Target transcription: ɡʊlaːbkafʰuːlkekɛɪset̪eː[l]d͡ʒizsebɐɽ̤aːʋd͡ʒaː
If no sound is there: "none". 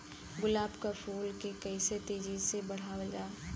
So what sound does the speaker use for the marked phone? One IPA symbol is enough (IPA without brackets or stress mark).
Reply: none